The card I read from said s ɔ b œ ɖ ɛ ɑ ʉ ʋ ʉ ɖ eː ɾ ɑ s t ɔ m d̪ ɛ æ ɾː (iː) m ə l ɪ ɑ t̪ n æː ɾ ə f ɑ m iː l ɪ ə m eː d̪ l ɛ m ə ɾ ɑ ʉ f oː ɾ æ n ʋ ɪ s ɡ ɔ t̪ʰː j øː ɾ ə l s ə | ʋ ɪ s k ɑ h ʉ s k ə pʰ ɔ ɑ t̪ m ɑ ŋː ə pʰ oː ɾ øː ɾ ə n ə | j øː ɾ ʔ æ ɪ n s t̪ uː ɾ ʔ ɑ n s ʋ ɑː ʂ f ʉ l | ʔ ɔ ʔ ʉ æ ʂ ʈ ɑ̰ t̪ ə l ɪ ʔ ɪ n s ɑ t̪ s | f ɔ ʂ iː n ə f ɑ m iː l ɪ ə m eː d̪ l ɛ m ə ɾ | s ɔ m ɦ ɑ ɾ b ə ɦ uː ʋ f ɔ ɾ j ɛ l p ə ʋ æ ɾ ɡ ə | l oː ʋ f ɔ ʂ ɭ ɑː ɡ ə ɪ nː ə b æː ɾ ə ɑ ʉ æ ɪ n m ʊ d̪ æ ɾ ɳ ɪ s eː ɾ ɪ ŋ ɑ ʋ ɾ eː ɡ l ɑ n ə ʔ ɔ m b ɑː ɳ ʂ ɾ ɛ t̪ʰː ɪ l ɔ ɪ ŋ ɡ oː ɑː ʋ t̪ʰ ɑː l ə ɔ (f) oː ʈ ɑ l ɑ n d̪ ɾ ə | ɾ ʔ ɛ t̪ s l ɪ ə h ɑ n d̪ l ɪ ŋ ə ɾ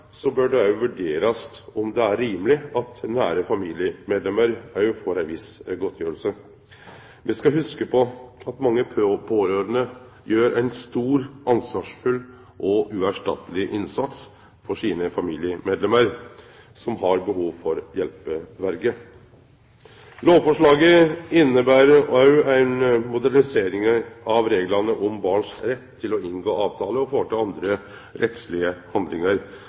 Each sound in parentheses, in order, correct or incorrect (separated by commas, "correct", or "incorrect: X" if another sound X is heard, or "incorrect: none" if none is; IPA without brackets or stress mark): correct, correct